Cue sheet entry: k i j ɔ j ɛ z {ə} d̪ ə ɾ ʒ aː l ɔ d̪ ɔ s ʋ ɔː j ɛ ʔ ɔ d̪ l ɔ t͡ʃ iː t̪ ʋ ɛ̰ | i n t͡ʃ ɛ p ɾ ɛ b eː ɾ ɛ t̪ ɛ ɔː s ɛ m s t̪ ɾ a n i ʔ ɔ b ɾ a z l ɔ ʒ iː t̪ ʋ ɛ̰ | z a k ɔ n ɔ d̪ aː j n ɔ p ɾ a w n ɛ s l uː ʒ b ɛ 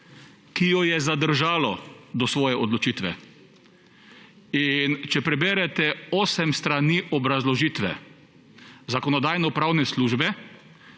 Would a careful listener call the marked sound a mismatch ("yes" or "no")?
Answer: yes